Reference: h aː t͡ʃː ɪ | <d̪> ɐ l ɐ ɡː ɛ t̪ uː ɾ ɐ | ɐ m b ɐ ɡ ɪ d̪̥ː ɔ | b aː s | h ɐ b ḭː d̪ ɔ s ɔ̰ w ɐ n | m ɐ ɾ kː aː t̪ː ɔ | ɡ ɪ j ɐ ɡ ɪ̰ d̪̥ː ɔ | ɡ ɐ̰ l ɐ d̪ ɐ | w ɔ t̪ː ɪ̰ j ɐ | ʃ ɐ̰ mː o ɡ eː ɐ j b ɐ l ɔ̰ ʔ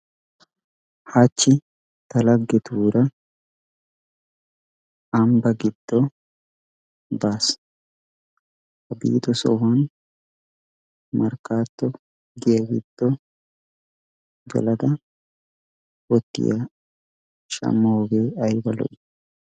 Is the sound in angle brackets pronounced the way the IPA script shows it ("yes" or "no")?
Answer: no